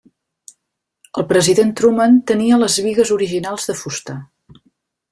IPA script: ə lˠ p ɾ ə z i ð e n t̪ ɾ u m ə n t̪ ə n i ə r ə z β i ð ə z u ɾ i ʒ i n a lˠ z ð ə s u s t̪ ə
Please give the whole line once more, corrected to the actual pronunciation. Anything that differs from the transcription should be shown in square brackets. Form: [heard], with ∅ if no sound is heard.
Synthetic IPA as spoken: ə lˠ p ɾ ə z i ð e n t̪ ɾ u m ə n t̪ ə n i ə [l] ə z β i [ɣ] ə z u ɾ i ʒ i n a lˠ z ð ə [f] u s t̪ ə